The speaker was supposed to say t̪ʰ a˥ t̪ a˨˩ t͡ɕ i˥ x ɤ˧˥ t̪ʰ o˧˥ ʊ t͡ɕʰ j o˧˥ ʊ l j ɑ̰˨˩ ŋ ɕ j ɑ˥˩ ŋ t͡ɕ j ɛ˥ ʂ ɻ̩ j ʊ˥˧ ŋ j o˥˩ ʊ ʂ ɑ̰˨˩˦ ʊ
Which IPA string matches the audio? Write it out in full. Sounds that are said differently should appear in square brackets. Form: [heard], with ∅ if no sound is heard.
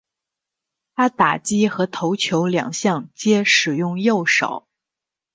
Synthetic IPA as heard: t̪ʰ a˥ t̪ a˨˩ t͡ɕ i˥ x ɤ˧˥ t̪ʰ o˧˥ ʊ t͡ɕʰ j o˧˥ ʊ l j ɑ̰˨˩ ŋ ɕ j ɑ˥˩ ŋ t͡ɕ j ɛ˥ ʂ ɻ̩ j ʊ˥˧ ŋ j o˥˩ ʊ ʂ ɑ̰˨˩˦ ʊ